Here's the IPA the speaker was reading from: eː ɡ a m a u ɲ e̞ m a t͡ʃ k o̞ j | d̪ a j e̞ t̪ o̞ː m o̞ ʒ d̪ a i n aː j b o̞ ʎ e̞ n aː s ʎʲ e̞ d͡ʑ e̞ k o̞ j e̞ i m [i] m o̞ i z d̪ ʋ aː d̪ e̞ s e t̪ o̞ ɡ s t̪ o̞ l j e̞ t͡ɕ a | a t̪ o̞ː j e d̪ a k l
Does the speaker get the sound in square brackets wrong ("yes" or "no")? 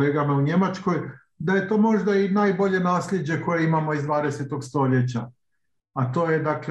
yes